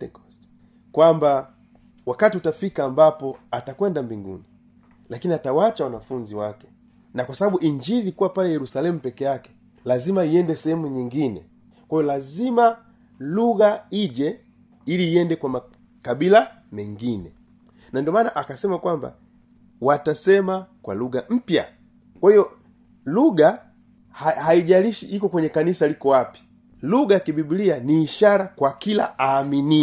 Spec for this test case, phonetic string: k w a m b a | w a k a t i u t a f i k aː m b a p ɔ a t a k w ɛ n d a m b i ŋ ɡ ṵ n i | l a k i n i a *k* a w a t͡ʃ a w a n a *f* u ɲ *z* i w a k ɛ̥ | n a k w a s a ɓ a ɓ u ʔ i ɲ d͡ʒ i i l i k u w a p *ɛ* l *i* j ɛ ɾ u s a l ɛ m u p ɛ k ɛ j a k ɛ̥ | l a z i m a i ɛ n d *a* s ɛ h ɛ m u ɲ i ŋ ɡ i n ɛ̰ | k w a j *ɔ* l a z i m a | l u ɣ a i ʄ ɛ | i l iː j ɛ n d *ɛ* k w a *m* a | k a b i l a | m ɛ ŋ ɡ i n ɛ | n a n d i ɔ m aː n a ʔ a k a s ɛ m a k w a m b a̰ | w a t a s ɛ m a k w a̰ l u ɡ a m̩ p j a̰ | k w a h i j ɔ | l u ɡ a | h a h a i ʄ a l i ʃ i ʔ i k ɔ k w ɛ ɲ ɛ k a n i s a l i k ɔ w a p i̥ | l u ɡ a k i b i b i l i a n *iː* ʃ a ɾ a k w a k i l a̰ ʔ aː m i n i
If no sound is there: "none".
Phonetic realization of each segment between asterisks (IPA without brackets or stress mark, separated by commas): t, f, z, a, ɛ, ɛ, ɔ, ɛ, m, iː